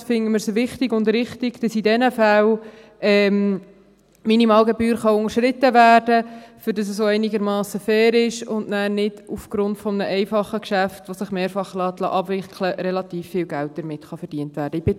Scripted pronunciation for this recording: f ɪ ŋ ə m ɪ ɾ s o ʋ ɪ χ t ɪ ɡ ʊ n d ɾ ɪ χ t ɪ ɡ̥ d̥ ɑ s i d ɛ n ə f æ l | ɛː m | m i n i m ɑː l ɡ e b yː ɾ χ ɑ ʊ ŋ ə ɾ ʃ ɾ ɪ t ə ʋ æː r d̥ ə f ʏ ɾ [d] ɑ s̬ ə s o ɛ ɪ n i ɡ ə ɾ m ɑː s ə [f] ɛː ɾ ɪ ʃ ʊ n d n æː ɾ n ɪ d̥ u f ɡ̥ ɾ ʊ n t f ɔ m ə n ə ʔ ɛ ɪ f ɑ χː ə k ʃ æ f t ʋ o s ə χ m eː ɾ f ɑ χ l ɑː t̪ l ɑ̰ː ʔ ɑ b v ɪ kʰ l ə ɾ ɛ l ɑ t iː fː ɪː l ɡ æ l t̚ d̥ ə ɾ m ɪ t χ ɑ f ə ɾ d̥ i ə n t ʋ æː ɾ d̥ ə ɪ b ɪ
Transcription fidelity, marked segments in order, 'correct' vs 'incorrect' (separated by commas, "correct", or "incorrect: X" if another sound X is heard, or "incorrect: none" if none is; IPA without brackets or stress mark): correct, correct